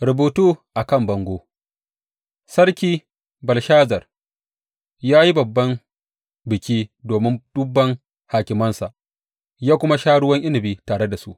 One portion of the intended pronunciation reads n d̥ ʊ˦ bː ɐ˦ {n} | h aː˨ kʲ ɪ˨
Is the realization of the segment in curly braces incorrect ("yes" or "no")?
yes